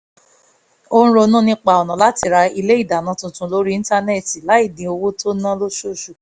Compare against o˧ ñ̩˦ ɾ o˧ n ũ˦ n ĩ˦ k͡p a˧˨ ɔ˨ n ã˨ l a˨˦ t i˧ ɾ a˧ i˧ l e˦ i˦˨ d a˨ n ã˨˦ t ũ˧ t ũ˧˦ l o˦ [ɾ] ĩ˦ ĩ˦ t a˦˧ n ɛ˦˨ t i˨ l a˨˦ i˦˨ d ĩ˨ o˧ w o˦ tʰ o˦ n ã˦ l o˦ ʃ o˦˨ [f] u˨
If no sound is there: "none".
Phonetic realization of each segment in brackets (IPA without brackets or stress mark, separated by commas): ɾ, ʃ